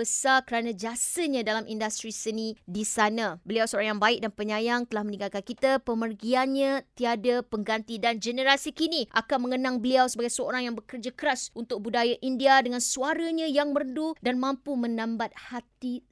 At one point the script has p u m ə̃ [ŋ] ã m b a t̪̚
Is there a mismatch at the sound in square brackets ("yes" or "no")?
yes